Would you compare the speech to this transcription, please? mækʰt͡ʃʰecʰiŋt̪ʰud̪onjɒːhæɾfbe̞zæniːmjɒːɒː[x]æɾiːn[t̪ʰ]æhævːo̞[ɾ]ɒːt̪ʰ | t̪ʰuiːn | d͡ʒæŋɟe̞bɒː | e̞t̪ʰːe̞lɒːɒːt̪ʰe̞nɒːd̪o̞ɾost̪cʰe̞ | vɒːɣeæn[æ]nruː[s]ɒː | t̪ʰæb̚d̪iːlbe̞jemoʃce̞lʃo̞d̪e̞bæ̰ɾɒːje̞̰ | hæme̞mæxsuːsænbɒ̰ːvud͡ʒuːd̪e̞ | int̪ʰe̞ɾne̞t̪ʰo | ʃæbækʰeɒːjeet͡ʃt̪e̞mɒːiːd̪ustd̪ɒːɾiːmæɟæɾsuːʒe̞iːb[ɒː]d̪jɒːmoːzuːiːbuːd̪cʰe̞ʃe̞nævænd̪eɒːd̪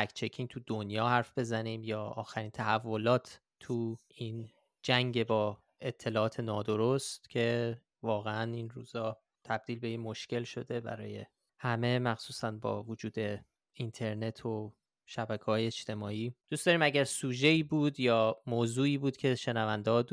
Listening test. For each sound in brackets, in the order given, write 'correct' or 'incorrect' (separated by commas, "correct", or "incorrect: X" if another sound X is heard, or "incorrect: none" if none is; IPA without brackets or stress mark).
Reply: correct, correct, incorrect: l, incorrect: i, incorrect: z, incorrect: uː